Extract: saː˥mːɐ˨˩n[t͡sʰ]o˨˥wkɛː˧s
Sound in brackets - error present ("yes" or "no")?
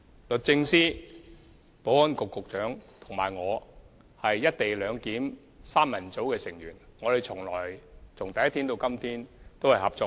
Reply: yes